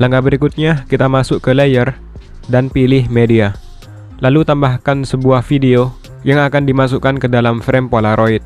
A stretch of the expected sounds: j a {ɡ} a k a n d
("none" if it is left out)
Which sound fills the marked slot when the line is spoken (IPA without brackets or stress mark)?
ŋ